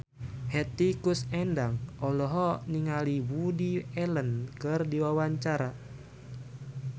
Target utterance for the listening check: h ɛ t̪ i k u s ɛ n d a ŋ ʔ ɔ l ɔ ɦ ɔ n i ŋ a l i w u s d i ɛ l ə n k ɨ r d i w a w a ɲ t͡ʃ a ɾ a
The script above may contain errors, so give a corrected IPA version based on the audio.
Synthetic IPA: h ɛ t̪ i k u s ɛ n d a ŋ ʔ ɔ l ɔ ɦ ɔ n i ŋ a l i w u d i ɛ l ə n k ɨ r d i w a w a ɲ t͡ʃ a ɾ a